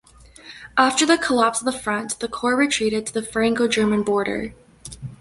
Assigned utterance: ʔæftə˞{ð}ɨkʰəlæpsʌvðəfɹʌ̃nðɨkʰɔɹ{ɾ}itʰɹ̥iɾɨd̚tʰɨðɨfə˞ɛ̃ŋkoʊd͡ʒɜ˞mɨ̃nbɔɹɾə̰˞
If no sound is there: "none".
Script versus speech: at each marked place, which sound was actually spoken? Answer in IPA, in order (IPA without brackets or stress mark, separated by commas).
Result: ð, ɹ